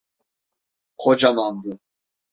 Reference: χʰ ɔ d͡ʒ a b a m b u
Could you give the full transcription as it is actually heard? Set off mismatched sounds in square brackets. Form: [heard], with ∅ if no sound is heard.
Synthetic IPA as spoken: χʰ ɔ d͡ʒ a [m] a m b u

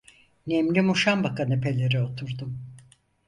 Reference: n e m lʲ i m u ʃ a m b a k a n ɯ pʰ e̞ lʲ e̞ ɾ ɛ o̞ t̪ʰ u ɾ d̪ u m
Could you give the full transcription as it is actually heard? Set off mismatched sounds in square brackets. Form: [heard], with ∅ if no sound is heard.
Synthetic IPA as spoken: n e m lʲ i m u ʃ a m b a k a n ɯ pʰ e̞ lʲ e̞ ɾ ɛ o̞ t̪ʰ u ɾ d̪ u m

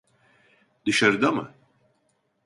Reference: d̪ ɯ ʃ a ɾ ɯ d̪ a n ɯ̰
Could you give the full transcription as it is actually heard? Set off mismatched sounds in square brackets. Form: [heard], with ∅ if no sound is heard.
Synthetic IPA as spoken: d̪ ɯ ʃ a ɾ ɯ d̪ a [m] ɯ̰

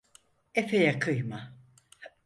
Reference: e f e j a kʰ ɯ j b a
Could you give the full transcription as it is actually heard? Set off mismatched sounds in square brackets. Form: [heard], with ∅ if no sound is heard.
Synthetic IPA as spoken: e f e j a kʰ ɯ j [m] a

